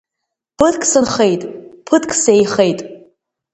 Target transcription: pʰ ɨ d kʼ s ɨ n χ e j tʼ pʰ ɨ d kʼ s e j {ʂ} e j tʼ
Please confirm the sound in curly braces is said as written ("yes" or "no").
no